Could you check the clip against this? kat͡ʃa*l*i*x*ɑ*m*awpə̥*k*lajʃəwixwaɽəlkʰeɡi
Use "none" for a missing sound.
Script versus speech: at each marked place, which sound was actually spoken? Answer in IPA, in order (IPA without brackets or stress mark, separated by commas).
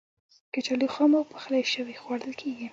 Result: l, x, m, x